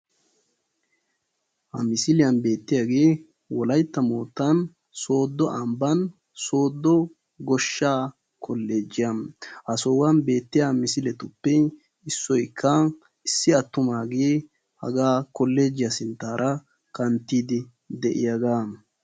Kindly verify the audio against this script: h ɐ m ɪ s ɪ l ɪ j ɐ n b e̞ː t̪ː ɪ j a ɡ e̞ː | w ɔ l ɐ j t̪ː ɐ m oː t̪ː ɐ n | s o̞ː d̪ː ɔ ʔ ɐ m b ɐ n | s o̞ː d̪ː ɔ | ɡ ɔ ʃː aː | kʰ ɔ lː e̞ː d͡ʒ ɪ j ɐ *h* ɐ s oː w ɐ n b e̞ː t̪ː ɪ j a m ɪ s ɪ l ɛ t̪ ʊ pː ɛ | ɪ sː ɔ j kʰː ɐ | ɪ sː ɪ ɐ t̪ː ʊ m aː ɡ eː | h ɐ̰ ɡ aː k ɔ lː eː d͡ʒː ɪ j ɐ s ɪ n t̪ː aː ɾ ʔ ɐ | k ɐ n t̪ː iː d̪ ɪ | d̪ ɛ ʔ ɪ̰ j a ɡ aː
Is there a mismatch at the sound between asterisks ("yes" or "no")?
no